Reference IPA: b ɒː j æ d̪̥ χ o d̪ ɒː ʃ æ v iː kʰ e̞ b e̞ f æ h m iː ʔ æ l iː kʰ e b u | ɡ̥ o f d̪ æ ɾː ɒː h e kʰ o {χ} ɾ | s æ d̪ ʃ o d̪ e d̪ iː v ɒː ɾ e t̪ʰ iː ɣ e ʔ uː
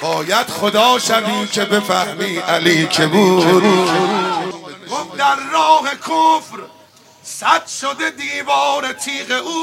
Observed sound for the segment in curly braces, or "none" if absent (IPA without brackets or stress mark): f